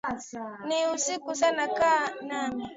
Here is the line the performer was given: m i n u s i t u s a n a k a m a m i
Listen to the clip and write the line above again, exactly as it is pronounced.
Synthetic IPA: n i u s i k u s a n a k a n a m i